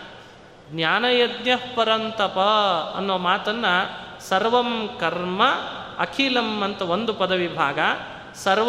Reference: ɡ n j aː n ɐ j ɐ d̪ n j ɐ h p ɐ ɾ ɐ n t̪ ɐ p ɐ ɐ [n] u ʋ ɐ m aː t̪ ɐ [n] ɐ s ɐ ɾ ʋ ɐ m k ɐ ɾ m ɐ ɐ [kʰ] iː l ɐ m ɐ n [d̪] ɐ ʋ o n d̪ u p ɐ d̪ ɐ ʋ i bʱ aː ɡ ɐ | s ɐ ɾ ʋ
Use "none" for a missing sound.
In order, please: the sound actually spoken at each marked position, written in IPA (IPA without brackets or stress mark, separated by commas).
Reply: nː, nː, kʰ, t̪